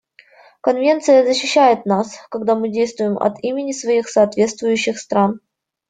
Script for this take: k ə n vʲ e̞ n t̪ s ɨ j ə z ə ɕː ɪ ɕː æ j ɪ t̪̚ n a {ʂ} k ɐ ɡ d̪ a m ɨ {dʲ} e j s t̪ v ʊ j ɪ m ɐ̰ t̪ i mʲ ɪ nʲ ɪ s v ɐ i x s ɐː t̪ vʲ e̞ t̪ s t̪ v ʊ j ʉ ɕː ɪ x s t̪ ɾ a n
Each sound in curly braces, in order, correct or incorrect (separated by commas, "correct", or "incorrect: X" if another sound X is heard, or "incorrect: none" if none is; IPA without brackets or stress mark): incorrect: s, correct